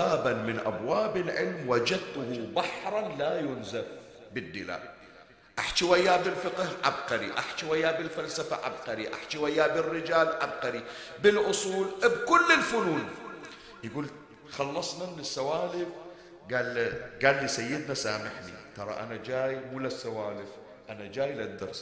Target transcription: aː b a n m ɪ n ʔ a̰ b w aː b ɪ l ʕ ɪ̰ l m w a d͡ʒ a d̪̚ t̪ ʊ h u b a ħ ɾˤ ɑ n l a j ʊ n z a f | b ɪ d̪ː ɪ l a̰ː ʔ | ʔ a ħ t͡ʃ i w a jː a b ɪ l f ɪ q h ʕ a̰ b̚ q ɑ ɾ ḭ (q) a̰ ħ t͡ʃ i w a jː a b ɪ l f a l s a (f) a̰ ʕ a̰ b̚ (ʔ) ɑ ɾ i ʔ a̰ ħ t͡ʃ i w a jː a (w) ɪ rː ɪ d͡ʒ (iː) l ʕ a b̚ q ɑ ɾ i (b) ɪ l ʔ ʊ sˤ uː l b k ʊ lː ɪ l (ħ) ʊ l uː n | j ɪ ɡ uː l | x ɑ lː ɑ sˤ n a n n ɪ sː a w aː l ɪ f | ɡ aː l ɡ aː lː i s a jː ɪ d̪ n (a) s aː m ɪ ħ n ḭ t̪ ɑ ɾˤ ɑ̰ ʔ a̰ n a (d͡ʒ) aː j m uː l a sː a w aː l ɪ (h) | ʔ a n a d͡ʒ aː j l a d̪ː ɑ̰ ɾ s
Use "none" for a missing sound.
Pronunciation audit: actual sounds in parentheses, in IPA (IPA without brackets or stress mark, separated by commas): ʔ, f, q, b, aː, b, f, a, d͡ʒ, f